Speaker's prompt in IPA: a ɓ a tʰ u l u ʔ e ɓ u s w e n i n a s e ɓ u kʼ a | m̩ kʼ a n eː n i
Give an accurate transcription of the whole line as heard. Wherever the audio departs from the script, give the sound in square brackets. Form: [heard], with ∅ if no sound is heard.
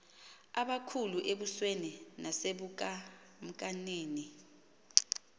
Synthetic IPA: a ɓ a [kʰ] u l u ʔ e ɓ u s w e n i n a s e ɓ u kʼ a | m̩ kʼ a n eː n i